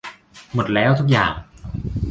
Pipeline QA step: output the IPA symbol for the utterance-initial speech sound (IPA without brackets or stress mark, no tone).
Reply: m